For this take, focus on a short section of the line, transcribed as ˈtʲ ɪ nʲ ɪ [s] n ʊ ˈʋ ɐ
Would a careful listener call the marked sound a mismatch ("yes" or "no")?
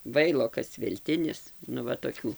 no